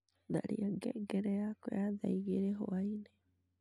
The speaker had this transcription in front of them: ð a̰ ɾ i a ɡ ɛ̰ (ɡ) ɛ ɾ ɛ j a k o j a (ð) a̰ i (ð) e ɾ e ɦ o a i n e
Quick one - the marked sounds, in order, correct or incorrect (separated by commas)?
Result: correct, correct, incorrect